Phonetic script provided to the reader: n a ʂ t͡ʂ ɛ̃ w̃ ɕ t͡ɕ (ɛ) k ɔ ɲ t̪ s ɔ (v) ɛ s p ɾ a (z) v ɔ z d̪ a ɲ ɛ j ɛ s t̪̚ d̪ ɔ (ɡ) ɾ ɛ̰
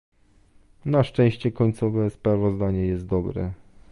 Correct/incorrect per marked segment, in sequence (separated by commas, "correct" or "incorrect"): correct, correct, incorrect, incorrect